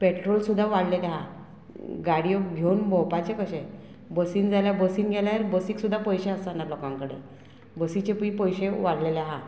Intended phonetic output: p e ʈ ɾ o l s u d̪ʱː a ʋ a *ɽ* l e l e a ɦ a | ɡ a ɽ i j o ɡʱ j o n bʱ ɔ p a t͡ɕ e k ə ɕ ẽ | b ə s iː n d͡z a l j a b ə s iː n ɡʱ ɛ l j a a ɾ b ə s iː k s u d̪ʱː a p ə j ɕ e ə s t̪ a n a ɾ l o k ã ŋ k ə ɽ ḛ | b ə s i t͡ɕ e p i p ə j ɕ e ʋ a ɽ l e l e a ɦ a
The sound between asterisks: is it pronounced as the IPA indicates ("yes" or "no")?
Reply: yes